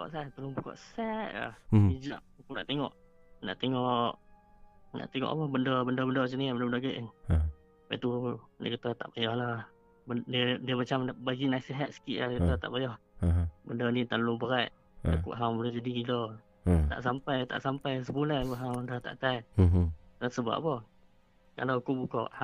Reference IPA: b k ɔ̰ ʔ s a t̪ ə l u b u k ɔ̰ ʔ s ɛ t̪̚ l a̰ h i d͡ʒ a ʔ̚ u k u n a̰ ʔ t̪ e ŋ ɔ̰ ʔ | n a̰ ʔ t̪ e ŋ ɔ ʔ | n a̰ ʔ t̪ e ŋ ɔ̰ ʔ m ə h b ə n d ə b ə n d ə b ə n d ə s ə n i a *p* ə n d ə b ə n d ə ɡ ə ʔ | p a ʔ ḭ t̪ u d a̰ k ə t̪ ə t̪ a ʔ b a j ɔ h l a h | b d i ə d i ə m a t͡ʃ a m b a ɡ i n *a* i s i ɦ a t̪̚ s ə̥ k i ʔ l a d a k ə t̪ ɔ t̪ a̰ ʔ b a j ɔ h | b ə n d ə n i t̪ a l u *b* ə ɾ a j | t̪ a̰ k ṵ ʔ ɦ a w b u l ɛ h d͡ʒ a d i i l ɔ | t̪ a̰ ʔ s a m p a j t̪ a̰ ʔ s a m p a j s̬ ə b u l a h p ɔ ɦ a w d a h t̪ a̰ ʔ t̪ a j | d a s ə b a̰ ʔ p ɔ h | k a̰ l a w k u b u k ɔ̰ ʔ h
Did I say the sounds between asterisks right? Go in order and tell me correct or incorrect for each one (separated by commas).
incorrect, correct, correct